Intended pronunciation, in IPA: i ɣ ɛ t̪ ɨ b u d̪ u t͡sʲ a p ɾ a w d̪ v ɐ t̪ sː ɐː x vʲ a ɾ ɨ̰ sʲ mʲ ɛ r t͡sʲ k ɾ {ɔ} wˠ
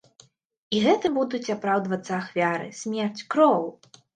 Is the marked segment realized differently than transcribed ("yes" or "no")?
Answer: no